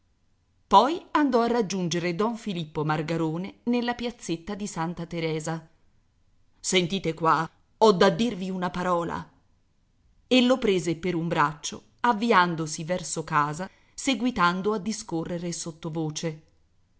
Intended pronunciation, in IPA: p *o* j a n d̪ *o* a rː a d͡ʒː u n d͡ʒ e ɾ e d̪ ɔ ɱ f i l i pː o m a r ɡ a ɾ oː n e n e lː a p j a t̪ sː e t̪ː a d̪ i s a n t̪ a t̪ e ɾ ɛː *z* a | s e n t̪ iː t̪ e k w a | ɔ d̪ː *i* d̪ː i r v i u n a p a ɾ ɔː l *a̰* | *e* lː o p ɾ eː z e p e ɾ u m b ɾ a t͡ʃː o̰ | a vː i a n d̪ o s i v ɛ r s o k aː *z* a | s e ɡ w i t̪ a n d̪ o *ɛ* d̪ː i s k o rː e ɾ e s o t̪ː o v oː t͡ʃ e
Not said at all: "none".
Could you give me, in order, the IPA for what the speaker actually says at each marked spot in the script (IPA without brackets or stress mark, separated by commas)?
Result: ɔ, ɔ, z, a, a̰, e, z, a